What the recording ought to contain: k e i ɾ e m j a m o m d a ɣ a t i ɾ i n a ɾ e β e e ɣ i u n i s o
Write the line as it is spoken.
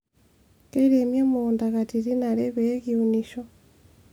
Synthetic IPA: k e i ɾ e m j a m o n d a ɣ a t i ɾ i n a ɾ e β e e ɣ i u n i ʃ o